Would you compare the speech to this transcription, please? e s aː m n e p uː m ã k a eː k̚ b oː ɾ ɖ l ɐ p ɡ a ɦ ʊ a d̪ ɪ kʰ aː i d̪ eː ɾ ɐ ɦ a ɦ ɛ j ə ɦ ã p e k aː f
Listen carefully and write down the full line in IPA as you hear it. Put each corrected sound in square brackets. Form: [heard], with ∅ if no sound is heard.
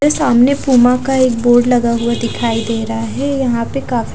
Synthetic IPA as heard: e s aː m n e p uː m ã k a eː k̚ b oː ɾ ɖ l ɐ [∅] ɡ a ɦ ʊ a d̪ ɪ kʰ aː i d̪ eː ɾ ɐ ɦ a ɦ ɛ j [ɐ] ɦ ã p e k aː f